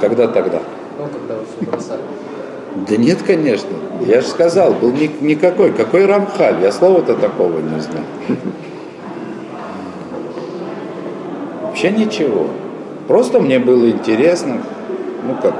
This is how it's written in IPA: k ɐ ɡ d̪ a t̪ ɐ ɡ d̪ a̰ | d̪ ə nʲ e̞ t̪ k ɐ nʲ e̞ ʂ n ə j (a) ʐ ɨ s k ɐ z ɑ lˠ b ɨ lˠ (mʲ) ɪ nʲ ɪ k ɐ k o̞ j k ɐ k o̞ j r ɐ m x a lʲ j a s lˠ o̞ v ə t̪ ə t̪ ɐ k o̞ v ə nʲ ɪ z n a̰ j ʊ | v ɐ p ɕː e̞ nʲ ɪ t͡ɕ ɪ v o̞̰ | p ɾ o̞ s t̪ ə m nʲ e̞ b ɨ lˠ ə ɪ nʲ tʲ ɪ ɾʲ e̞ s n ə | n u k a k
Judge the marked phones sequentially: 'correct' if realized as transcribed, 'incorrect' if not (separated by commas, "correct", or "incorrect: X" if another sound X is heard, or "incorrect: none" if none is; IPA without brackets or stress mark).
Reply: correct, incorrect: nʲ